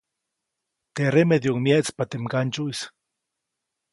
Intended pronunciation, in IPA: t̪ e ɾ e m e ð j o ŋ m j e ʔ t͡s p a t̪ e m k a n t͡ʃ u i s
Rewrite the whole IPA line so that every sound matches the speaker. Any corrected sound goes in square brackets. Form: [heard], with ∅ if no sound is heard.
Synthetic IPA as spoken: t̪ e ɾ e m e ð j o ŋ m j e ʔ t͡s p a t̪ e m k a n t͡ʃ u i s